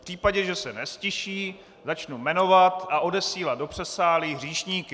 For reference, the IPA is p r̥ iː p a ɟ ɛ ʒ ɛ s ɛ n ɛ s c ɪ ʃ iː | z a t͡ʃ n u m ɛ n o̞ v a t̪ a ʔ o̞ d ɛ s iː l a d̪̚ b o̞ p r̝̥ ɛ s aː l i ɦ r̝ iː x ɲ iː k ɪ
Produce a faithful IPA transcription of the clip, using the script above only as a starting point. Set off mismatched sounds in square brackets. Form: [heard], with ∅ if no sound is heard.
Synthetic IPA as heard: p r̥ iː p a ɟ ɛ ʒ ɛ s ɛ n ɛ s c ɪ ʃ iː | z a t͡ʃ n u m ɛ n o̞ v a t̪ a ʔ o̞ d ɛ s iː l a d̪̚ [d] o̞ p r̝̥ ɛ s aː l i ɦ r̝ iː [ʃ] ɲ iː k ɪ